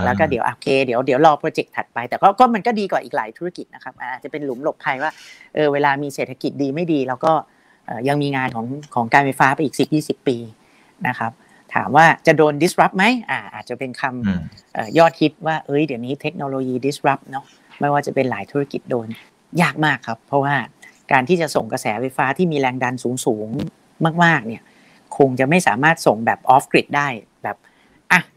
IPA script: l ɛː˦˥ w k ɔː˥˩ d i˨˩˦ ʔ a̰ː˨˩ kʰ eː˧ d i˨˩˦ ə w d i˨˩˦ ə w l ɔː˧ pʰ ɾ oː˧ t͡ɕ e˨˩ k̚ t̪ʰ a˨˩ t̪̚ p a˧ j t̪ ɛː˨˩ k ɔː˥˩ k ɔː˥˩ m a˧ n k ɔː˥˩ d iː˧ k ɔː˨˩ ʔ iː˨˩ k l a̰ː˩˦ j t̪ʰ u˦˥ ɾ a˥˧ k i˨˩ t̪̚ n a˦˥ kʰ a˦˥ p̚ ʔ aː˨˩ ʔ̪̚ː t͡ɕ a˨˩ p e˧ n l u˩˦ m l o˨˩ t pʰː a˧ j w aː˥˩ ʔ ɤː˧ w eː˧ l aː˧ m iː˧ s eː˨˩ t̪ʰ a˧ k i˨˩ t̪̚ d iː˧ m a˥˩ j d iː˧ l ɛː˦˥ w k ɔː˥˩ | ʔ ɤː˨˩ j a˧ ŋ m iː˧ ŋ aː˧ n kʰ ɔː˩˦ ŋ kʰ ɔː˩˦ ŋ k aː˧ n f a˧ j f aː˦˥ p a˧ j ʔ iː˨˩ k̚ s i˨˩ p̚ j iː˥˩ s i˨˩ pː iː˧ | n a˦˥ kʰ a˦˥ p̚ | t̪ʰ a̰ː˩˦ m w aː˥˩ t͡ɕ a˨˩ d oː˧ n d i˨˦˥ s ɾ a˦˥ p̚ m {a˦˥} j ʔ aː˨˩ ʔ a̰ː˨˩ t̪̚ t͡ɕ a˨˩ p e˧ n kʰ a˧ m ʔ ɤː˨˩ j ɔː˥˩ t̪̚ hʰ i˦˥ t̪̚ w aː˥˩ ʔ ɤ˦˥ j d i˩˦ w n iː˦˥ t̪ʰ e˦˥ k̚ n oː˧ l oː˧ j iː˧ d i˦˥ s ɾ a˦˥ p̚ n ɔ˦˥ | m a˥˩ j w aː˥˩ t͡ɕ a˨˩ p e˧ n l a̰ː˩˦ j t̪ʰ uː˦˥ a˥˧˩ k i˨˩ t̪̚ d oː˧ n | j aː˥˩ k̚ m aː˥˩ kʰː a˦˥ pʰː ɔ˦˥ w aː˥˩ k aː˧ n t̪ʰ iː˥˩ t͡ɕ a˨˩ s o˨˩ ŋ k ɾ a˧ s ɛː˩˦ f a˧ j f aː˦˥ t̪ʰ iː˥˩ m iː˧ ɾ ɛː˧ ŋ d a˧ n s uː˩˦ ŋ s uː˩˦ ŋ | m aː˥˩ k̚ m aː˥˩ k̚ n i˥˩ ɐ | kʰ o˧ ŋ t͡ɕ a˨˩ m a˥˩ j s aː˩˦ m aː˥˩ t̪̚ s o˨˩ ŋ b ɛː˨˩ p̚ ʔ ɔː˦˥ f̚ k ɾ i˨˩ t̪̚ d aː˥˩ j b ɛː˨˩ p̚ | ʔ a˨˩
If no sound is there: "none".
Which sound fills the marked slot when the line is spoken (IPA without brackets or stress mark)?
a˦˥